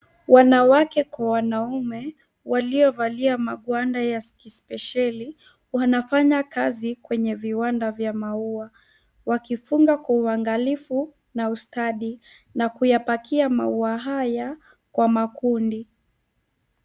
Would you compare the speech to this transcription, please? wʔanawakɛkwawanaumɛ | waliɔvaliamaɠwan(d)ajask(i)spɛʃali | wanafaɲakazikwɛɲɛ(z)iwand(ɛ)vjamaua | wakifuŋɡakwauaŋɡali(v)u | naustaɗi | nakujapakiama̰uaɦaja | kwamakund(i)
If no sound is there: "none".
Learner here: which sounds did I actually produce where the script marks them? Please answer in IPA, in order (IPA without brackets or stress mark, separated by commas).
d, i, v, a, f, i